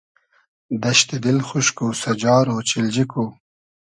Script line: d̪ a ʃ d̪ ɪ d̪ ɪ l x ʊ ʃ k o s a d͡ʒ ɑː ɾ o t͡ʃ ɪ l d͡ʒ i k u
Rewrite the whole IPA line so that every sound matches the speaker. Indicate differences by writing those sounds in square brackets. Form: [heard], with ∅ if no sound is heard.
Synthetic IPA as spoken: d̪ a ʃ [t̪] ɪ d̪ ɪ l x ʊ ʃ k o s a d͡ʒ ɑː ɾ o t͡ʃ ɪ l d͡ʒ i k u